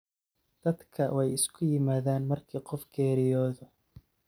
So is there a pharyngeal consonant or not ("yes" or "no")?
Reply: no